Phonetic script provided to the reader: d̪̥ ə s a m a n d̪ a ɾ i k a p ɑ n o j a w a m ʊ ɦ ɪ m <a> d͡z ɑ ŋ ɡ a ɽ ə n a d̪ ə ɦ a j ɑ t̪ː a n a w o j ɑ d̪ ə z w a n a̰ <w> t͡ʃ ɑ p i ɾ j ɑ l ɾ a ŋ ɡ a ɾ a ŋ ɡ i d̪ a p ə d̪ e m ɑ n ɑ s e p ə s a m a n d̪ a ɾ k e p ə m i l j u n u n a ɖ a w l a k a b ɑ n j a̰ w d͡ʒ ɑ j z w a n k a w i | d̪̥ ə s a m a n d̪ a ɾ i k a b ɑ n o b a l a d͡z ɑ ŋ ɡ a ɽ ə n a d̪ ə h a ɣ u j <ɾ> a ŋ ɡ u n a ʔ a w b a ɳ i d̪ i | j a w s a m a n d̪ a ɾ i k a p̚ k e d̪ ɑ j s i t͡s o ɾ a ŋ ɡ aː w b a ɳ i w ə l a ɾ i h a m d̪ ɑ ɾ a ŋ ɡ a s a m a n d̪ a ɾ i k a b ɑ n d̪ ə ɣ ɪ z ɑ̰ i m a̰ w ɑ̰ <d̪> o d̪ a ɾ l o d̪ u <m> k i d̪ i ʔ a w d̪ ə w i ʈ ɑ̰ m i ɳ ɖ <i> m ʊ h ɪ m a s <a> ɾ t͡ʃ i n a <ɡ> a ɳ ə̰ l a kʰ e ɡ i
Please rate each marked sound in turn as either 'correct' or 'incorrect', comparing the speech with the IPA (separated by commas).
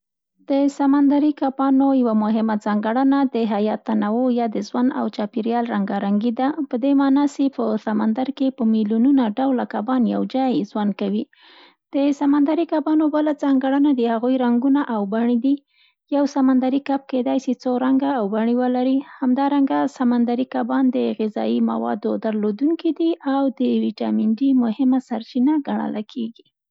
correct, correct, correct, correct, incorrect, correct, correct, correct